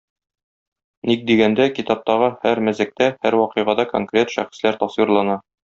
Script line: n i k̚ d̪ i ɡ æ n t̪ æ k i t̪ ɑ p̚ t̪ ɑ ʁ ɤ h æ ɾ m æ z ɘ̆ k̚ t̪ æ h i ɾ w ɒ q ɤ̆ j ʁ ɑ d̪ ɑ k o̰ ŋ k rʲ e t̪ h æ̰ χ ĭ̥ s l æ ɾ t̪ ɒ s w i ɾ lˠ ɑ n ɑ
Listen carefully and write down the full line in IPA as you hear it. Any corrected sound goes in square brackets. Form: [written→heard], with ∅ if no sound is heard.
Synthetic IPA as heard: n i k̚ d̪ i ɡ æ n [t̪→d̪] æ k i t̪ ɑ p̚ t̪ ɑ ʁ ɤ h æ ɾ m æ z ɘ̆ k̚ t̪ æ h [i→æ] ɾ w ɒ q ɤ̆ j ʁ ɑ d̪ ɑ k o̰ ŋ k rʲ e t̪ [h→ʃ] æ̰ χ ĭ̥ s l æ ɾ t̪ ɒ s w i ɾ lˠ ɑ n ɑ